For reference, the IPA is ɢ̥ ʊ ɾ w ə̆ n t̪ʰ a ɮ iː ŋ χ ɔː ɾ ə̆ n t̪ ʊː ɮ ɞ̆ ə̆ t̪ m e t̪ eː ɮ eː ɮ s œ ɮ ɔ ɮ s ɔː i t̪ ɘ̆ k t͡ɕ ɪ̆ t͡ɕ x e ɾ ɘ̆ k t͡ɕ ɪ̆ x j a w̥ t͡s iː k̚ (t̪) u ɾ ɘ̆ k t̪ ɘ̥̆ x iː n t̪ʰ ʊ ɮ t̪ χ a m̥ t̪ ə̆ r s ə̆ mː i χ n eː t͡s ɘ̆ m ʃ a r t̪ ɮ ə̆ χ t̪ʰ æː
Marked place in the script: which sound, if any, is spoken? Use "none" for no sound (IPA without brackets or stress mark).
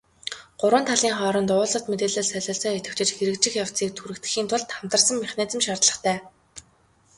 t̪ʰ